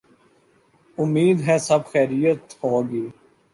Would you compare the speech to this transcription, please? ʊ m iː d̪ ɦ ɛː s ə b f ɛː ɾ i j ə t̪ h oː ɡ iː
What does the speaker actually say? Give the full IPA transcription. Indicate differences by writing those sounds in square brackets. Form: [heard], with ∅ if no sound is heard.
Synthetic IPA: ʊ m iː d̪ ɦ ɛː s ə b [x] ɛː ɾ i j ə t̪ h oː ɡ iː